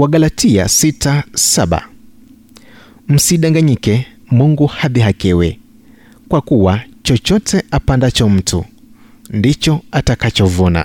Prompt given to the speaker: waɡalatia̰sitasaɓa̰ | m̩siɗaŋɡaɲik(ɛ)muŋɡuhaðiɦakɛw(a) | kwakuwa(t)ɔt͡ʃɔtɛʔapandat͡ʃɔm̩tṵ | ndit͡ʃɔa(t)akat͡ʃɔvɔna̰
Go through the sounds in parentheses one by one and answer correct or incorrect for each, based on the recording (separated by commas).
correct, incorrect, incorrect, correct